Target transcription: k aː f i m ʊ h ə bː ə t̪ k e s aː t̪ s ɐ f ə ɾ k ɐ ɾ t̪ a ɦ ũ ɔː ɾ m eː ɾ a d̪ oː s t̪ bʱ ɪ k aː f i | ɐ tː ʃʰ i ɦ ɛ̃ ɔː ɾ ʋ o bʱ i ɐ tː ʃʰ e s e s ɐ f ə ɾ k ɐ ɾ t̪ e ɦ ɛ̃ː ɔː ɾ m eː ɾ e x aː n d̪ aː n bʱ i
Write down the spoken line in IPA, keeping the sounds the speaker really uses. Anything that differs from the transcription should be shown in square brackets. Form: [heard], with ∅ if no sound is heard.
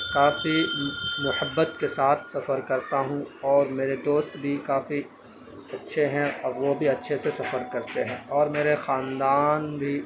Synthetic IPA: k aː f i m ʊ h ə bː ə t̪ k e s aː [t̪ʰ] s ɐ f ə ɾ k ɐ ɾ t̪ a ɦ ũ ɔː ɾ m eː ɾ [e] d̪ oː s t̪ bʱ [i] k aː f i | ɐ tː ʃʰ [e] ɦ ɛ̃ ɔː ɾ ʋ o bʱ i ɐ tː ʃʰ e s e s ɐ f ə ɾ k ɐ ɾ t̪ e ɦ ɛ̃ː ɔː ɾ m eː ɾ e x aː n d̪ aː n bʱ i